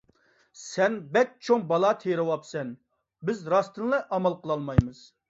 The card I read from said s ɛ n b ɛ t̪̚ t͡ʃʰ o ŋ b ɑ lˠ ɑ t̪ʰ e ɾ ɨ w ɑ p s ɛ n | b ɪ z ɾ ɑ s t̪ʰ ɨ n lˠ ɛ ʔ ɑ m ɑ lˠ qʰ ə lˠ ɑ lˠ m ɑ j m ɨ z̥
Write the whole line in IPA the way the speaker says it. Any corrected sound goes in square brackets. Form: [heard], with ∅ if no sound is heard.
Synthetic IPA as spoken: s ɛ n b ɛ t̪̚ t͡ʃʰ o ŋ b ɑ lˠ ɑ t̪ʰ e ɾ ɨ w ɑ p s ɛ n | b ɪ z ɾ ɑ s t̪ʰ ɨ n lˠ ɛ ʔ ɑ m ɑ lˠ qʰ ə lˠ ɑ lˠ m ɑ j m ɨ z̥